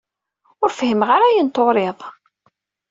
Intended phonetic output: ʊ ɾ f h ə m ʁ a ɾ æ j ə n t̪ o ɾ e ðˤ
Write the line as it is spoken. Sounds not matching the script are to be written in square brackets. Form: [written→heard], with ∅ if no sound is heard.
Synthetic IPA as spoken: ʊ ɾ f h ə m ʁ a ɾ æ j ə n t̪ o ɾ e ðˤ